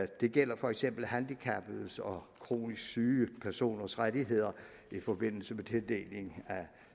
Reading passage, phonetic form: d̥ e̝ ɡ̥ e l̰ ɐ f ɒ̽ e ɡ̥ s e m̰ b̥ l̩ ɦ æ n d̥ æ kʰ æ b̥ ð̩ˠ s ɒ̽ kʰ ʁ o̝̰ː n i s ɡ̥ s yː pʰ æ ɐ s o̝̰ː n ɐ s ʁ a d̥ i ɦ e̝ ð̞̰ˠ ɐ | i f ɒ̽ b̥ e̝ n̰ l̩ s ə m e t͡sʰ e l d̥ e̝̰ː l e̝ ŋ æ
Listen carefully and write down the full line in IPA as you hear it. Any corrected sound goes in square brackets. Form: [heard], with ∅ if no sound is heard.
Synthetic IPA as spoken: d̥ e̝ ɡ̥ e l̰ ɐ f ɒ̽ e ɡ̥ s e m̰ b̥ l̩ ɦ æ n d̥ [i] kʰ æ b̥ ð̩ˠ s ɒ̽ kʰ ʁ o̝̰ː n i s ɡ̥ s yː pʰ æ ɐ s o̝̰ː n ɐ s ʁ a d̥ i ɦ e̝ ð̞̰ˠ ɐ | i f ɒ̽ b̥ e̝ n̰ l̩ s ə m e t͡sʰ e l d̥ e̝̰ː l e̝ ŋ æ